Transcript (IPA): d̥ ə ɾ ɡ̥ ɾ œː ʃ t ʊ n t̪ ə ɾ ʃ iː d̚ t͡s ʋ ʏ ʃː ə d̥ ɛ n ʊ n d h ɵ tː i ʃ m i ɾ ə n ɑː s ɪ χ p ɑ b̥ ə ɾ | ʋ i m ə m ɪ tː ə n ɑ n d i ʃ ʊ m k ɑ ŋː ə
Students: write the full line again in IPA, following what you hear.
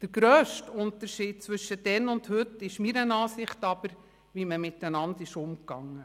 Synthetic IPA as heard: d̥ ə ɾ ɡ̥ ɾ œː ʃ t ʊ n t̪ ə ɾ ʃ iː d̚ t͡s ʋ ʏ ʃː ə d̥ ɛ n ʊ n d h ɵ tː ɪ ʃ m i ɾ ə n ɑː s ɪ χ t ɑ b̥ ə ɾ | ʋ i m ə m ɪ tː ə n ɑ n d ɪ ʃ ʊ m k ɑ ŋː ə